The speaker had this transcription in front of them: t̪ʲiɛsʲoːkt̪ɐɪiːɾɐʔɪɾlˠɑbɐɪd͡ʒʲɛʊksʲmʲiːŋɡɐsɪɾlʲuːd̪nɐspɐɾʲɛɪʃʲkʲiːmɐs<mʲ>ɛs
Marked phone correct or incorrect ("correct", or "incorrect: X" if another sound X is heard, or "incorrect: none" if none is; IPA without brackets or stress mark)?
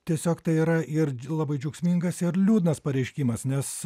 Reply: incorrect: nʲ